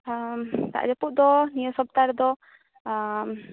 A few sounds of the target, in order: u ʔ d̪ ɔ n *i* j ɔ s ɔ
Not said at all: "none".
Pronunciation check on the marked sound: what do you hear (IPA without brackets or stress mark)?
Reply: i